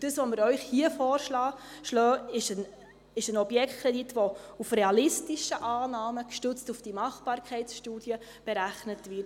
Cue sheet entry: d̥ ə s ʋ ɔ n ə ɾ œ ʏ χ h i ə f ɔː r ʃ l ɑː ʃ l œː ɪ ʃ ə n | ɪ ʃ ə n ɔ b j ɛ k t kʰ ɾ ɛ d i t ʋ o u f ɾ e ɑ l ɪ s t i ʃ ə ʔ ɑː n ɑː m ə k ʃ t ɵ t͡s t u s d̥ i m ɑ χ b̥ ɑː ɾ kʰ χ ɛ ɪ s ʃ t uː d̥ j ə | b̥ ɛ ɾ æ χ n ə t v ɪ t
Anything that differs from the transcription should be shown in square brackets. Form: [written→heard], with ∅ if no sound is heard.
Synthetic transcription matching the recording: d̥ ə s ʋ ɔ [n→m] ə ɾ œ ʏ χ h i ə f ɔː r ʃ l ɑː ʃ l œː ɪ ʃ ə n | ɪ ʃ ə n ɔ b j ɛ k t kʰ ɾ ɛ d i t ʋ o u f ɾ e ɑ l ɪ s t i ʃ ə ʔ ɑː n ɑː m ə k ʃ t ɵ t͡s t u [s→f] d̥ i m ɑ χ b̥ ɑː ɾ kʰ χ ɛ ɪ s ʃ t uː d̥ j ə | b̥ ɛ ɾ æ χ n ə t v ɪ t